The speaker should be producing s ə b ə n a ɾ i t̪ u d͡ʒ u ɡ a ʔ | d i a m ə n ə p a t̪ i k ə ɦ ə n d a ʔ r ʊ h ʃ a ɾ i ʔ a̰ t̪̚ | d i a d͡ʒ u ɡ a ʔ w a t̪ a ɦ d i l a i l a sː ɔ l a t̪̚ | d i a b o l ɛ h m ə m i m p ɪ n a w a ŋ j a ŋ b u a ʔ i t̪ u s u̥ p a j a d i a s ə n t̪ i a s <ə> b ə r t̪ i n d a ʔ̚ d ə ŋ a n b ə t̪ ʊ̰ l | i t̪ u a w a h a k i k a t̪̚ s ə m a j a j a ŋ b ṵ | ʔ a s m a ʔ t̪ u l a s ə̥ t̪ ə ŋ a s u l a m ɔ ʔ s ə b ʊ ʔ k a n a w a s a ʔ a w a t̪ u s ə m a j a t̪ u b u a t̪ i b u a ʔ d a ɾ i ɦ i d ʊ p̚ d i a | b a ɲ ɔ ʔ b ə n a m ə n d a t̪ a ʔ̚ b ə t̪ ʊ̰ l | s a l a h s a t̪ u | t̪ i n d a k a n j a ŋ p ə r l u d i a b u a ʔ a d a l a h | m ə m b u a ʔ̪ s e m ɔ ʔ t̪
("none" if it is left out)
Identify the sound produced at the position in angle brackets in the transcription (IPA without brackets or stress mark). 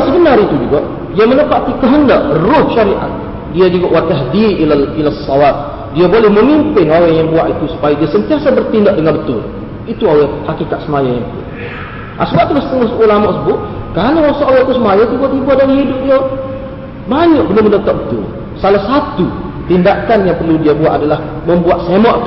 a